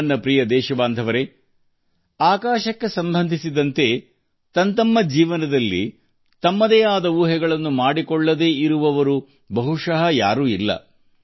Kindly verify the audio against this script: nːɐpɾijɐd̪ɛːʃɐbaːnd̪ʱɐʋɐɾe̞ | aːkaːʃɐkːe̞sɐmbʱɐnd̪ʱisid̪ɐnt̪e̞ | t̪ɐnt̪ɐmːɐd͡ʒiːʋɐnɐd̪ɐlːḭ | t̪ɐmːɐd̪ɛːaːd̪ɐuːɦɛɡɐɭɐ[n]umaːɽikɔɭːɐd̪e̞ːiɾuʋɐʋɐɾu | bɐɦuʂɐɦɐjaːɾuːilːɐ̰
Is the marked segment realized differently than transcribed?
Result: yes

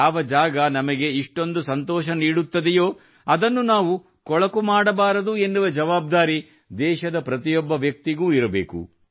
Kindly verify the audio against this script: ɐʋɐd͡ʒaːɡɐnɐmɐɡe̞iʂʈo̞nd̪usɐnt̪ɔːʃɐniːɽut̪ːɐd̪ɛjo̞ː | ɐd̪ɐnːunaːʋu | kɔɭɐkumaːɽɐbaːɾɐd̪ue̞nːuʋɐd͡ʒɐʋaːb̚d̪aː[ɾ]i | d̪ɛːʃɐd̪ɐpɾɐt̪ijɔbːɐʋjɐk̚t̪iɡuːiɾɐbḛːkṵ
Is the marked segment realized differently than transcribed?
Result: no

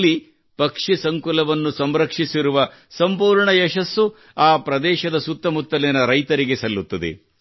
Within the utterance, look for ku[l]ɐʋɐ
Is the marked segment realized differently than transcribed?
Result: no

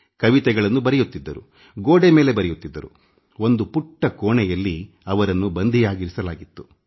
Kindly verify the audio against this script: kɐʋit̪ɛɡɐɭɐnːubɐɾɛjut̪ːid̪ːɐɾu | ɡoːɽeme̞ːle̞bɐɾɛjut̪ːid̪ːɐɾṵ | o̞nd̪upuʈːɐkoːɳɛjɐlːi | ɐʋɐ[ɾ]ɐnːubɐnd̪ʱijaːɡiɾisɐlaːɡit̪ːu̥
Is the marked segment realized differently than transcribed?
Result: no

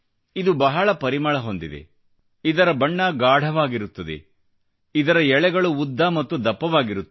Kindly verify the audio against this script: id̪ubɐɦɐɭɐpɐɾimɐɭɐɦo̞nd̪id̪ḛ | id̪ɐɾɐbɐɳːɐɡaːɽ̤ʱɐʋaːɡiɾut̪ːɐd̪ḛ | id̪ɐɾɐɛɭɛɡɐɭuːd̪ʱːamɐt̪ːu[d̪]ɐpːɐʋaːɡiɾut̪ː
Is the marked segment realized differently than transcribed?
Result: no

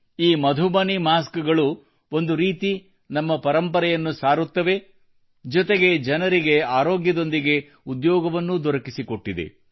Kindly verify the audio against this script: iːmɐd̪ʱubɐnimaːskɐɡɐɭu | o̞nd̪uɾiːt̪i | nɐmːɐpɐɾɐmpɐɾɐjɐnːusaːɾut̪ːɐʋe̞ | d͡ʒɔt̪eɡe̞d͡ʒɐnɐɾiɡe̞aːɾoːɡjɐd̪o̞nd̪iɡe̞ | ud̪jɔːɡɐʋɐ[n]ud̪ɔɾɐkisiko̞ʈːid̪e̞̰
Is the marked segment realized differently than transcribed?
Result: yes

